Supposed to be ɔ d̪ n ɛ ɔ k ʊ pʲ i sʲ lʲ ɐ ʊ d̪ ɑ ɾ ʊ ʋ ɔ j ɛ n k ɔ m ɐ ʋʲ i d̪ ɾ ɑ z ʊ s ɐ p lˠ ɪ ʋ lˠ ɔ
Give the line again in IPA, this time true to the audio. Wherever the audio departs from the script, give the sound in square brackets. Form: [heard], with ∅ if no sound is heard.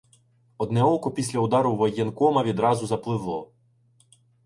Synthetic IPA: ɔ d̪ n ɛ ɔ k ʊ pʲ i sʲ lʲ ɐ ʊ d̪ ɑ ɾ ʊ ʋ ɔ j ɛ n k ɔ m ɐ ʋʲ i d̪ ɾ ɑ z ʊ [z] ɐ p lˠ ɪ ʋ lˠ ɔ